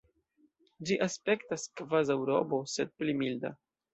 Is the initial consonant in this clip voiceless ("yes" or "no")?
no